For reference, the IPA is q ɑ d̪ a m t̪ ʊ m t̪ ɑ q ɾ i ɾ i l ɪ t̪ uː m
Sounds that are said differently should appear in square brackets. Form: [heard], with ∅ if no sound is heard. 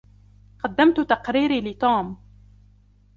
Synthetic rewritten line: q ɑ [d̪ː] a m t̪ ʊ [∅] t̪ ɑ q ɾ [iː] ɾ i l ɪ t̪ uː m